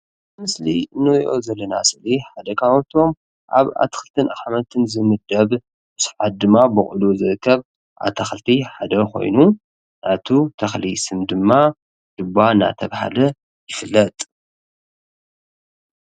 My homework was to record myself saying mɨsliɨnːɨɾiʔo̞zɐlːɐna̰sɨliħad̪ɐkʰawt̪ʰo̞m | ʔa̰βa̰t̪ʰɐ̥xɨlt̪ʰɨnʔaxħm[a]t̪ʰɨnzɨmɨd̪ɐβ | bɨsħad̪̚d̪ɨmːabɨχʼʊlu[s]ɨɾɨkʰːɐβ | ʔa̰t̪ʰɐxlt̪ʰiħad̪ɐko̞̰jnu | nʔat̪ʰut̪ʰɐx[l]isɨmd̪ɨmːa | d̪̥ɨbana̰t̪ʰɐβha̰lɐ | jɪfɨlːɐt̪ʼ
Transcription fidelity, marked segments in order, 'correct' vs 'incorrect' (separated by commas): incorrect, incorrect, correct